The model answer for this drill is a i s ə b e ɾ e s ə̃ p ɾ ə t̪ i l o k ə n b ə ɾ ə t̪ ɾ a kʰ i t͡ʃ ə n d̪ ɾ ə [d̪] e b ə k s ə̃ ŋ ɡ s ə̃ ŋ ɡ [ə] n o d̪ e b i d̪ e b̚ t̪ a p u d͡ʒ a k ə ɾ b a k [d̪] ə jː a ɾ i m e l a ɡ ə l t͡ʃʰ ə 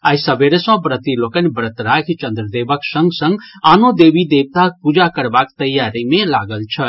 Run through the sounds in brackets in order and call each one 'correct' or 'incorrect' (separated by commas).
correct, incorrect, incorrect